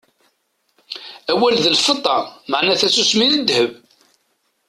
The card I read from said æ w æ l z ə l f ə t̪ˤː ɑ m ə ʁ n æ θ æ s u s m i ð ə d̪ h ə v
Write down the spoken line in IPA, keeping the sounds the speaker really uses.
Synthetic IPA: æ w æ l ð ə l f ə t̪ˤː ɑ m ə ʕ n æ θ æ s u s m i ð ə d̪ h ə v